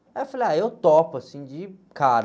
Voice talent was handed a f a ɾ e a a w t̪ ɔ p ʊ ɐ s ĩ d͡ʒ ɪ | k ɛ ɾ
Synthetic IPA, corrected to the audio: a f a l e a e w t̪ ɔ p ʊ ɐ s ĩ d͡ʒ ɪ | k a ɾ

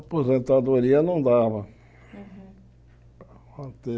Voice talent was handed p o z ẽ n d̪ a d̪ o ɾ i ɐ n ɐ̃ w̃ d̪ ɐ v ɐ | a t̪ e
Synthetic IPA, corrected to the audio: p o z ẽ n t̪ a d̪ o ɾ i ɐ n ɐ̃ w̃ d̪ a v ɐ | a t̪ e

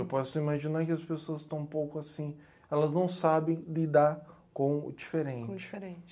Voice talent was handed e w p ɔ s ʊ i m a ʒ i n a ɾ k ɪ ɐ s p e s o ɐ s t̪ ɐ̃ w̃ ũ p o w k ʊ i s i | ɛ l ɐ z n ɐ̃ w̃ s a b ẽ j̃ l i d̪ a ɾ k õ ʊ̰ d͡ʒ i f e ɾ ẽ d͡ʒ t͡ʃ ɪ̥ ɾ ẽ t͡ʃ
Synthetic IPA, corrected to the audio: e w p ɔ s ʊ i m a ʒ i n a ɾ k ɪ ɐ s p e s o ɐ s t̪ ɐ̃ w̃ ũ p o w k ʊ a s ĩ | ɛ l ɐ z n ɐ̃ w̃ s a b ẽ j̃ l i d̪ a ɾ k õ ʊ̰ d͡ʒ i f e ɾ ẽ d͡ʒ t͡ʃ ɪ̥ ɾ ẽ t͡ʃ

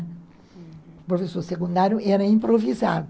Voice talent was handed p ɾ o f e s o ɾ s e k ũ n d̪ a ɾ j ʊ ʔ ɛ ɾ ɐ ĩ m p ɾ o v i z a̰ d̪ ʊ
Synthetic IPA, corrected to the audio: p ɾ o f e s o ɾ s e k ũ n d̪ a ɾ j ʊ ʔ ɛ ɾ ɐ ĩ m p ɾ o v i z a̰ d̪ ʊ

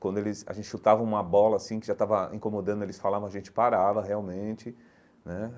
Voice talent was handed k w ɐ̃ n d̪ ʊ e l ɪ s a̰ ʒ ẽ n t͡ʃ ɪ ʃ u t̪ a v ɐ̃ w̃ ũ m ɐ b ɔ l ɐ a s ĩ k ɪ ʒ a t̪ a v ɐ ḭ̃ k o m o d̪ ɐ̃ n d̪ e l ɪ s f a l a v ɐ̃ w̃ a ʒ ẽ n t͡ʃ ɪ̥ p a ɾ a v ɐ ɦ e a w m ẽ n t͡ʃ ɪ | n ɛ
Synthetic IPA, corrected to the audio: k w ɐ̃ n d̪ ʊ e l ɪ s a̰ ʒ ẽ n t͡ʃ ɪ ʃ u t̪ a v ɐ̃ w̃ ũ m ɐ b ɔ l ɐ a s ĩ k ɪ ʒ a t̪ a v ɐ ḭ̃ k o m o d̪ ɐ̃ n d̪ e l ɪ s f a l a v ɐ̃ w̃ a ʒ ẽ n t͡ʃ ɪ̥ p a ɾ a v ɐ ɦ e a w m ẽ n t͡ʃ ɪ | n ɛ

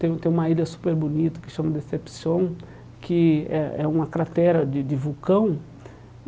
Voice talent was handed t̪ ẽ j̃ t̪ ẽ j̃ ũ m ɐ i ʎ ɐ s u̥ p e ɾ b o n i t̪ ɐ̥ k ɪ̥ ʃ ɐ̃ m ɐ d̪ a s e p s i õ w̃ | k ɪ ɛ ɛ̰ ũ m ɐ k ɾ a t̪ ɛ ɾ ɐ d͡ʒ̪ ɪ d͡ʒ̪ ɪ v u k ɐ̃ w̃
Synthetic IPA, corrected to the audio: t̪ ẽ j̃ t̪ ẽ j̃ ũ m ɐ i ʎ ɐ s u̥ p e ɾ b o n i t̪ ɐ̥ k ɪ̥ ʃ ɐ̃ m ɐ d̪ e s e p s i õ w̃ | k ɪ ɛ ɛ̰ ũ m ɐ k ɾ a t̪ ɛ ɾ ɐ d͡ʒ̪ ɪ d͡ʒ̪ ɪ v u k ɐ̃ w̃

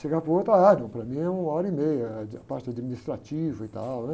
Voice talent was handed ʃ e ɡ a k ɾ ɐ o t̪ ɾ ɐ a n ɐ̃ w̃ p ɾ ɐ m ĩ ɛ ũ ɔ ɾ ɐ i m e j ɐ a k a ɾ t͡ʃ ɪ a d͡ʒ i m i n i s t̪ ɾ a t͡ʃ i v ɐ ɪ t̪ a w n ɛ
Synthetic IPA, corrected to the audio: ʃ e ɡ a p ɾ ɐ o t̪ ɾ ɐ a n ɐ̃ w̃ p ɾ ɐ m ĩ ɛ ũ ɔ ɾ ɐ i m e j ɐ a p a ɾ t͡ʃ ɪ a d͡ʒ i m i n i s t̪ ɾ a t͡ʃ i v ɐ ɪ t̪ a w n ɛ

